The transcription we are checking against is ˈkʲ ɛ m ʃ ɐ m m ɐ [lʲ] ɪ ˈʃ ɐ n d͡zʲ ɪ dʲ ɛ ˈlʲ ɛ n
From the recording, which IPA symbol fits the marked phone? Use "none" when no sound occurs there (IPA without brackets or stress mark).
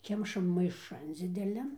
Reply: none